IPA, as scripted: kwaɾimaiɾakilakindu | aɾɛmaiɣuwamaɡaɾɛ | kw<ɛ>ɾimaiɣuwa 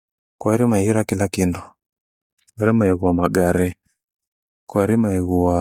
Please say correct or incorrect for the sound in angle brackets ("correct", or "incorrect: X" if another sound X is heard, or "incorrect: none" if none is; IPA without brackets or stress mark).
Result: incorrect: a